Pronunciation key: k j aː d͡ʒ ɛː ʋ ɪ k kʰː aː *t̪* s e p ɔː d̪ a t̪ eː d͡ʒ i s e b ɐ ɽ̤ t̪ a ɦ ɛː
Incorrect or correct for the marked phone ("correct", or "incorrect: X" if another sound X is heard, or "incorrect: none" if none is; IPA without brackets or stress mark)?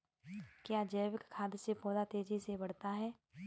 incorrect: d̪